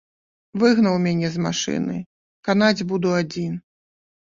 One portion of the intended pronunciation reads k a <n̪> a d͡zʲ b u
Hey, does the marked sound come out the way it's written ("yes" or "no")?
yes